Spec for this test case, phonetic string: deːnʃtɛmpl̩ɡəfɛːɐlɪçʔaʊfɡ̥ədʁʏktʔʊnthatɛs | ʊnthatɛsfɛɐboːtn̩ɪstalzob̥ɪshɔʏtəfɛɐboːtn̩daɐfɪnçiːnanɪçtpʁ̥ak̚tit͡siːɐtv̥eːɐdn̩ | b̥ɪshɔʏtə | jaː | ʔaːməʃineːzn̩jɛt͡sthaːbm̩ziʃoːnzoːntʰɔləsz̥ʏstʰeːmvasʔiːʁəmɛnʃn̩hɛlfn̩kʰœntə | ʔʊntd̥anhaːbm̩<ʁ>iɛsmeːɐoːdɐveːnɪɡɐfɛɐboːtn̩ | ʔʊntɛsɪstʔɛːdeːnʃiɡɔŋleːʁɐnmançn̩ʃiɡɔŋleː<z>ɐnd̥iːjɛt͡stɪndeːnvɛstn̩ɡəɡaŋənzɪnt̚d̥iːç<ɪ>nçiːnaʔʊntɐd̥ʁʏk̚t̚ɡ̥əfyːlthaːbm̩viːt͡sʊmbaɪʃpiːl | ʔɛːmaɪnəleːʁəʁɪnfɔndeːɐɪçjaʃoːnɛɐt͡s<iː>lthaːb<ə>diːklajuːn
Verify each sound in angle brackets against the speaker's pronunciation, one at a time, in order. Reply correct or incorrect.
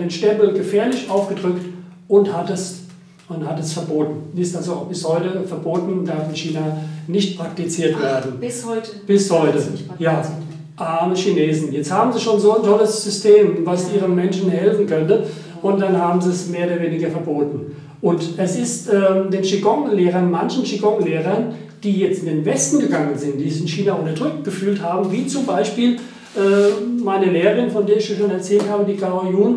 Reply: incorrect, incorrect, correct, incorrect, correct

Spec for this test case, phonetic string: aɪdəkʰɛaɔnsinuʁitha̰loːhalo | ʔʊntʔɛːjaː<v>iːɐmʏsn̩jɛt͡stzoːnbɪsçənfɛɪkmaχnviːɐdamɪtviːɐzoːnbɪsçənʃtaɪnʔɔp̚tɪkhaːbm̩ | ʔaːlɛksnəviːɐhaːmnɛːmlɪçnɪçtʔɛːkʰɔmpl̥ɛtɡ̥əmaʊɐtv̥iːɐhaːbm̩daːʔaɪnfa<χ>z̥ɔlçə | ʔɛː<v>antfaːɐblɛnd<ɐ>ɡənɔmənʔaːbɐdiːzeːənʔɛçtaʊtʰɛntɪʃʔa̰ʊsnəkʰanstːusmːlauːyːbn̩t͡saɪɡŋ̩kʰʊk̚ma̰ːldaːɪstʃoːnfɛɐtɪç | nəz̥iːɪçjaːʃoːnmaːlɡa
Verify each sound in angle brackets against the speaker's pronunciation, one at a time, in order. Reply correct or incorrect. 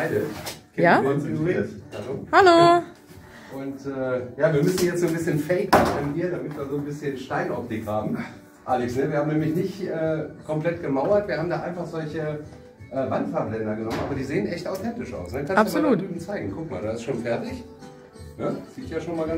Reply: correct, correct, correct, correct

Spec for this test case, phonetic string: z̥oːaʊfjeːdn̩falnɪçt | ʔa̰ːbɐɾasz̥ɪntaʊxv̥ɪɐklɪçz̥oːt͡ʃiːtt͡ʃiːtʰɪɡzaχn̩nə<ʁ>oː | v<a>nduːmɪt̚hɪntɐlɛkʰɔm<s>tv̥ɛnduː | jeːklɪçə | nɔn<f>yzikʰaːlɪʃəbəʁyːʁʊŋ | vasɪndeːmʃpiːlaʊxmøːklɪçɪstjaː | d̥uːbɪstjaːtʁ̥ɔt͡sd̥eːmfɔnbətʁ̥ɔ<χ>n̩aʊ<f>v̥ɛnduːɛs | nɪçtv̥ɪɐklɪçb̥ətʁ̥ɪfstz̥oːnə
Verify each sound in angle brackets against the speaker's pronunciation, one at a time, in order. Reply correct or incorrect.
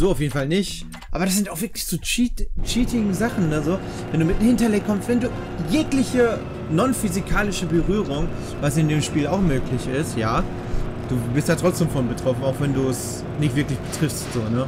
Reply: incorrect, incorrect, correct, correct, incorrect, incorrect

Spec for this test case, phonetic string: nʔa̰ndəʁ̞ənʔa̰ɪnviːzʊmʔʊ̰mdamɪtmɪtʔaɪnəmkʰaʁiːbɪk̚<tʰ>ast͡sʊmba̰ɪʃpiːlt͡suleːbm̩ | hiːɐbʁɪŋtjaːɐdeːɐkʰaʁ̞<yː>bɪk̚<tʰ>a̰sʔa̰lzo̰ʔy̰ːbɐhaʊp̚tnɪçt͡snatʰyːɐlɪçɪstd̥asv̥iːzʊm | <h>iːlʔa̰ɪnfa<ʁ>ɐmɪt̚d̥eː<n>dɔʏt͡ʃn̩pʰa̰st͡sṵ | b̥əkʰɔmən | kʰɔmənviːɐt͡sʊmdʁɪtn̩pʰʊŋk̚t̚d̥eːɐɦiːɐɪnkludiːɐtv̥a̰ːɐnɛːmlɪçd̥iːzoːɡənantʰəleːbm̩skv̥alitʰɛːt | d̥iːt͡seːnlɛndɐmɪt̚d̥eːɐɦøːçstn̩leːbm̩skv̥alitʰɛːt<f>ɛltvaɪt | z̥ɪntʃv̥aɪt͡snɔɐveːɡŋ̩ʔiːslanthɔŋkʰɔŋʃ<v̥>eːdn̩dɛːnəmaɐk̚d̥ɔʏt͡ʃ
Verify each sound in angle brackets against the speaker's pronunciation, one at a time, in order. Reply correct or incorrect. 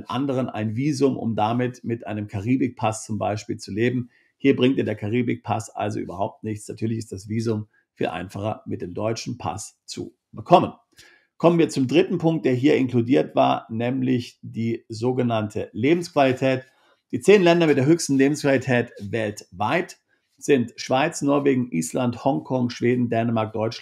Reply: incorrect, incorrect, incorrect, incorrect, incorrect, incorrect, incorrect, correct

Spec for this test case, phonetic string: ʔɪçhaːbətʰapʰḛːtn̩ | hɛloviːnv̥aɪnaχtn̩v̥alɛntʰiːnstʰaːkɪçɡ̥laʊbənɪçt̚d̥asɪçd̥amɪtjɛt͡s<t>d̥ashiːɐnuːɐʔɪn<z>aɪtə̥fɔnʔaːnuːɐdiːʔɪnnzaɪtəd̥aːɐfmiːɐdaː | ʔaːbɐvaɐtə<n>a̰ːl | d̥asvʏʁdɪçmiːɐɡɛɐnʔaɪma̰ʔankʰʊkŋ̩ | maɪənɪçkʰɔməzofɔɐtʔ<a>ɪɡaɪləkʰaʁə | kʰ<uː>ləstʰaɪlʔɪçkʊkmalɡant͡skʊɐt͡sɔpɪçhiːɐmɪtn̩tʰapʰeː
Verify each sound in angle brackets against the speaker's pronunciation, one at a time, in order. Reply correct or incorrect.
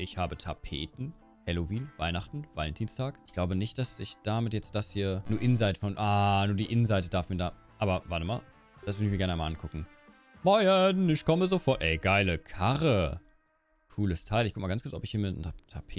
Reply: correct, correct, incorrect, incorrect, correct

